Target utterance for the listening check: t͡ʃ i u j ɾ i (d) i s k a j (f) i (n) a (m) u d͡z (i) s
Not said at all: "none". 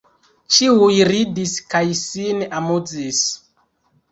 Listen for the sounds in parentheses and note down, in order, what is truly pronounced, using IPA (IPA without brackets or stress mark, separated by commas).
d, s, n, m, i